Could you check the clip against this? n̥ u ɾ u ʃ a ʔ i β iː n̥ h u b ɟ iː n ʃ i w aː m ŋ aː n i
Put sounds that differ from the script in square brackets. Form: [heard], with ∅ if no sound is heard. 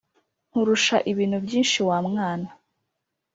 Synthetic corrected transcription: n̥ u ɾ u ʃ a ʔ i β iː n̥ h u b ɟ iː n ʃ i w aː m ŋ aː n [a]